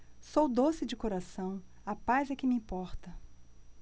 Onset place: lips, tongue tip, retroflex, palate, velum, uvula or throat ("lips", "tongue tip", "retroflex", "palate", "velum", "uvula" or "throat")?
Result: tongue tip